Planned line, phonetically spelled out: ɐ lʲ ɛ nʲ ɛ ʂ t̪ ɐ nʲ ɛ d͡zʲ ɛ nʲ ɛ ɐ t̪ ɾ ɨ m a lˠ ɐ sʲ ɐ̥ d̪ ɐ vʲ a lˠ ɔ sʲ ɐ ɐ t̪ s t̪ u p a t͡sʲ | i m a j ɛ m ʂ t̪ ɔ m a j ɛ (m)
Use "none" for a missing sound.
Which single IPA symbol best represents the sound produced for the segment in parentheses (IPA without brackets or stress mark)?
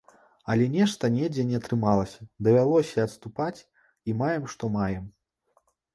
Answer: m